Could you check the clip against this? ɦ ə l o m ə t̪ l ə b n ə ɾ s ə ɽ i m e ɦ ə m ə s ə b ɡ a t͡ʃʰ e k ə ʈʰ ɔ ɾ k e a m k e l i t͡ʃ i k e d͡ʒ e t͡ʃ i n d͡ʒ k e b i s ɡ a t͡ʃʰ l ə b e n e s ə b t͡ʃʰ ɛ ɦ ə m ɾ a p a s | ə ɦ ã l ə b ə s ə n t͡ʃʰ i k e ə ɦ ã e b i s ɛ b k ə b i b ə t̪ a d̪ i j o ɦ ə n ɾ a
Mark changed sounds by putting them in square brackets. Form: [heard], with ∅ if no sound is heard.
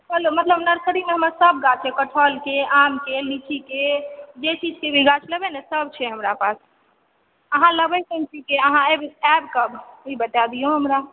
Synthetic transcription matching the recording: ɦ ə l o m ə t̪ l ə b n ə ɾ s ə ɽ i m e ɦ ə m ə s ə b ɡ a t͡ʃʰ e k ə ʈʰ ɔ [l] k e a m k e l i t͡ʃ i k e d͡ʒ e t͡ʃ i [∅] d͡ʒ k e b i [∅] ɡ a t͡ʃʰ l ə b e n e s ə b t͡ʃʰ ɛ ɦ ə m ɾ a p a s | ə ɦ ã l ə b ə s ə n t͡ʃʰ i k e ə ɦ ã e b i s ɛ b k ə b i b ə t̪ a d̪ i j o ɦ ə [m] ɾ a